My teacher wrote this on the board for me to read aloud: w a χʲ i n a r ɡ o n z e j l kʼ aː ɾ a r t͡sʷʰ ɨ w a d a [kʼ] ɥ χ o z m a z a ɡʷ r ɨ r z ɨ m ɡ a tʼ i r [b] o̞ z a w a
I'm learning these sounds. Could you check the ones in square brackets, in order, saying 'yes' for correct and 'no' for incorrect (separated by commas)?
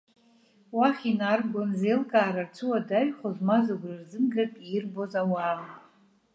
no, yes